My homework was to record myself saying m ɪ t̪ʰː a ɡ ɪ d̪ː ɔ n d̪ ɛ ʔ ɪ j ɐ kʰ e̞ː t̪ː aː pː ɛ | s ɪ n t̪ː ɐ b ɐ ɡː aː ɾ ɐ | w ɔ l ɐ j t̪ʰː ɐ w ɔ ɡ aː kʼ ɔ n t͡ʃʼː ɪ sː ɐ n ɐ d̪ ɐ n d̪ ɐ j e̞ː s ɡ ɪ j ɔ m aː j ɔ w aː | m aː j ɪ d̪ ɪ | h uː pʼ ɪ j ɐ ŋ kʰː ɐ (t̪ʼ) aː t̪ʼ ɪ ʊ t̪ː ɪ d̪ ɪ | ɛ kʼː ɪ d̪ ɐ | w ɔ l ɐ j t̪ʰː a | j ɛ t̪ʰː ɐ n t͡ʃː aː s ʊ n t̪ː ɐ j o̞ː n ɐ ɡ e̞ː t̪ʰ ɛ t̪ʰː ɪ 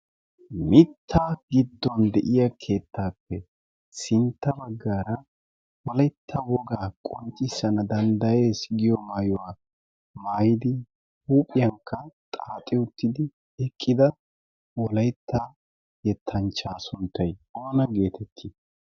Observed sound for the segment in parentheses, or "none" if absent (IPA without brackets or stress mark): t̪ʼ